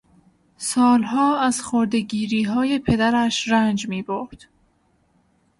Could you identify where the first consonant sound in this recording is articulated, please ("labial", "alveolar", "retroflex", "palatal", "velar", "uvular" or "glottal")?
alveolar